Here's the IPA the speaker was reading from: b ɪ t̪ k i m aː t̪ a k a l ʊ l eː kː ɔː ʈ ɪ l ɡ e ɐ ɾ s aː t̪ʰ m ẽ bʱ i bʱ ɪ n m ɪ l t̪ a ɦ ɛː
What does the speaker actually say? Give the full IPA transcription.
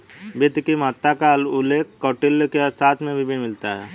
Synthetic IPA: b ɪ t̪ k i m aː t̪ a k a l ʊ l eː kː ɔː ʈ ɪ l k e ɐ ɾ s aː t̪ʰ m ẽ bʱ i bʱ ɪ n m ɪ l t̪ a ɦ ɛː